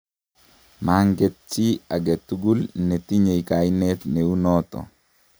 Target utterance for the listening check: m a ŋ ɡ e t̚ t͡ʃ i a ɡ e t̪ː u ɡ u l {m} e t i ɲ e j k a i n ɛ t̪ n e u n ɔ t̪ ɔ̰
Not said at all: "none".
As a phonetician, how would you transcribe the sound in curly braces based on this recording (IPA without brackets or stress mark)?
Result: n